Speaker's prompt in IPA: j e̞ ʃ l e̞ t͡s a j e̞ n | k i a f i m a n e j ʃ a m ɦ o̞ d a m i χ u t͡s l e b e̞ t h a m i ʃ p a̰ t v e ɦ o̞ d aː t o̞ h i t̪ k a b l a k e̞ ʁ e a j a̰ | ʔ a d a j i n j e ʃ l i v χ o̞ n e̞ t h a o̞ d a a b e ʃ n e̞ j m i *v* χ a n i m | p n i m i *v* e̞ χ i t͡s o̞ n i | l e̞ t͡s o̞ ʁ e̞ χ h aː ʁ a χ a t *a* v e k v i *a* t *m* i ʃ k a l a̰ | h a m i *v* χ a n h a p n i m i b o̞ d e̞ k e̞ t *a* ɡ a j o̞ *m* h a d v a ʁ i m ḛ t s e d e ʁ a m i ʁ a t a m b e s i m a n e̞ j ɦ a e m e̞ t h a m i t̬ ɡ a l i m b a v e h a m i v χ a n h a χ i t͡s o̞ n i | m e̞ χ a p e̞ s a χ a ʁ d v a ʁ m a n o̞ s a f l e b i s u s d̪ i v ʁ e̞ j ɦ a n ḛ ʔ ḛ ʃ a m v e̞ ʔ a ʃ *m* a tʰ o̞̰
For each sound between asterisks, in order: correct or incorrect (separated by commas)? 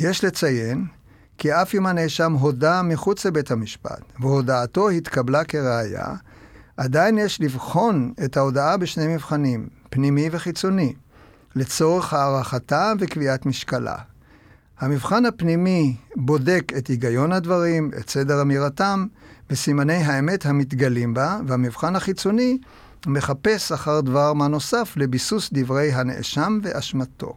correct, correct, correct, correct, correct, correct, incorrect, incorrect, correct